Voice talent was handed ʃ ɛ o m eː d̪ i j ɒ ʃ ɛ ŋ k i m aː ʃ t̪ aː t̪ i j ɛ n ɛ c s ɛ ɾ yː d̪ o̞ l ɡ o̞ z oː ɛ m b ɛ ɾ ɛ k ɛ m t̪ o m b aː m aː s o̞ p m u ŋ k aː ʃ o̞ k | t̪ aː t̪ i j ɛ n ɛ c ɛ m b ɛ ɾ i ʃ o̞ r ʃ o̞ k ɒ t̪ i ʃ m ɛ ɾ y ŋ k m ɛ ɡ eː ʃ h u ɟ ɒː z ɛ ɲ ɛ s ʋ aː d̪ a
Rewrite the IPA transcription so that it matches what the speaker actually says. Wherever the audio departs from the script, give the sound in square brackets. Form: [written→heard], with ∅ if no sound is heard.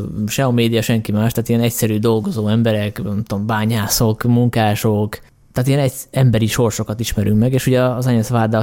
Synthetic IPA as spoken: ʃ ɛ o m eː d̪ i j ɒ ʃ ɛ ŋ k i m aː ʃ t̪ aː t̪ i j ɛ n ɛ c s ɛ ɾ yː d̪ o̞ l ɡ o̞ z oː ɛ m b ɛ ɾ ɛ k ɛ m t̪ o m b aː [m→ɲ] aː s o̞ [p→k] m u ŋ k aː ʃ o̞ k | t̪ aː t̪ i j ɛ n ɛ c ɛ m b ɛ ɾ i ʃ o̞ r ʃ o̞ k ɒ t̪ i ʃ m ɛ ɾ y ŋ k m ɛ ɡ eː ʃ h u ɟ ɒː z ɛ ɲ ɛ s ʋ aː d̪ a